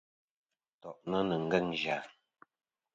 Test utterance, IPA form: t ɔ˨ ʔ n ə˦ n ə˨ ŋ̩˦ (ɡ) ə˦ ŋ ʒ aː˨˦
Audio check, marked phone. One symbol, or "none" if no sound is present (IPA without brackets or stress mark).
ɡ